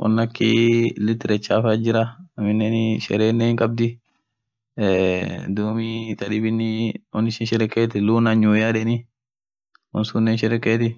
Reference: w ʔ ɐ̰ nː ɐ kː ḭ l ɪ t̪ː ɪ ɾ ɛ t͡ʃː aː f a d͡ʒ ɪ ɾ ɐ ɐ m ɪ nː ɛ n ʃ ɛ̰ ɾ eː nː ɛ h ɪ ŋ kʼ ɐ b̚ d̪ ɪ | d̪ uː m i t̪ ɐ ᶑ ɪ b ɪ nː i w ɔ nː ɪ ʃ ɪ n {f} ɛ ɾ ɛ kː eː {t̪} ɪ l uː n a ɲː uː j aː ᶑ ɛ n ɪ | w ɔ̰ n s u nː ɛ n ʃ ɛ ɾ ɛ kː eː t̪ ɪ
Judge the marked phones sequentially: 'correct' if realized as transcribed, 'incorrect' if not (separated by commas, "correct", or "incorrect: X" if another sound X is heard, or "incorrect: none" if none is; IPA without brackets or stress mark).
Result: incorrect: ʃ, correct